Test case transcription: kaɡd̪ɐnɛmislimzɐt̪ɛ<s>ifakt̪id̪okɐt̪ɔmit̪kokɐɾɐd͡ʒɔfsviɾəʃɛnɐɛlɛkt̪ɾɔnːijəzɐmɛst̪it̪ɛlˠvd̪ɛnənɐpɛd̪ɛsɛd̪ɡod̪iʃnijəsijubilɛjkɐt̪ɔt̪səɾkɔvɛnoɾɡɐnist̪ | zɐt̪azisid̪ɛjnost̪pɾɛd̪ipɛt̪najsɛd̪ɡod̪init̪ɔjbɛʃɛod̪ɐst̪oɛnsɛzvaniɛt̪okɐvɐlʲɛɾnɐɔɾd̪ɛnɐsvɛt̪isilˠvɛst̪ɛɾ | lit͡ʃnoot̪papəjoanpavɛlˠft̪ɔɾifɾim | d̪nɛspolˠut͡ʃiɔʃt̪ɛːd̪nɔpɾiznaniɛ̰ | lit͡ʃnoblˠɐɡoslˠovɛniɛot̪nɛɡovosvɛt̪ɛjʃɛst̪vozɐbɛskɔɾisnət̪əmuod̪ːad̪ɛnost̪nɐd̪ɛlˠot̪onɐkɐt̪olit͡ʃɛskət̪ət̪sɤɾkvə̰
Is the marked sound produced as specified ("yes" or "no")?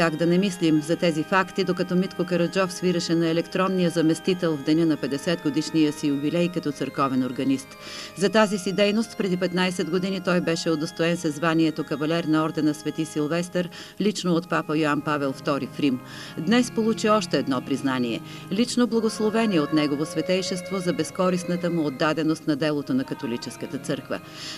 no